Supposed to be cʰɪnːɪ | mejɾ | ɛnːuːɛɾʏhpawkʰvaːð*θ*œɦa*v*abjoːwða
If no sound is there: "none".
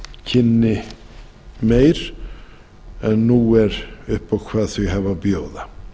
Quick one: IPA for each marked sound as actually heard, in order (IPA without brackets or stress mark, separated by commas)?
θ, v